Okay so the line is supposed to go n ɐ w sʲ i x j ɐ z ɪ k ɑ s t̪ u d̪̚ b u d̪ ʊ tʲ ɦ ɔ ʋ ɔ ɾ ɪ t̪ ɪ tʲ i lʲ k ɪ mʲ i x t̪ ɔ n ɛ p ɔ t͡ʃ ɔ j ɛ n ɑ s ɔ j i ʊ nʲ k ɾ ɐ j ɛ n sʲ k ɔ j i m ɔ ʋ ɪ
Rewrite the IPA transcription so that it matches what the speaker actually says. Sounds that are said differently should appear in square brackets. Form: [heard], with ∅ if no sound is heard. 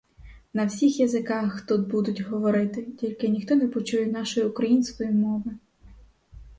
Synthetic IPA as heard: n ɐ w sʲ i x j ɐ z ɪ k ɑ [x] t̪ u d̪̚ b u d̪ ʊ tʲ ɦ ɔ ʋ ɔ ɾ ɪ t̪ ɪ tʲ i lʲ k ɪ [nʲ] i x t̪ ɔ n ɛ p ɔ t͡ʃ [u] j ɛ n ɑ [ʃ] ɔ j i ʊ [∅] k ɾ ɐ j [i] n sʲ k ɔ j i m ɔ ʋ ɪ